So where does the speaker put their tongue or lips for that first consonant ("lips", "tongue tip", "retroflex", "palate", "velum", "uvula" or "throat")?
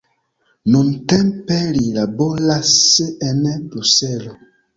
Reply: tongue tip